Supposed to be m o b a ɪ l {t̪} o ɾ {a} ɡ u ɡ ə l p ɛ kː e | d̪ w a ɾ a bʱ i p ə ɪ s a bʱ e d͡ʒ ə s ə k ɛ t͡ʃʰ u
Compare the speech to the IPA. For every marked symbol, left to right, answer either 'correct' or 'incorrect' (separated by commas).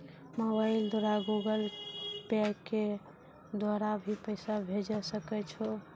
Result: incorrect, correct